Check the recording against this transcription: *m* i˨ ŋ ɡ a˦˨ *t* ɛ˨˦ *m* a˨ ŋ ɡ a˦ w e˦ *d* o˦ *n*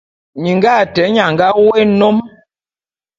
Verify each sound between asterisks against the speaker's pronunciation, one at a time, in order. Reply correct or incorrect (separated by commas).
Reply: incorrect, correct, incorrect, incorrect, incorrect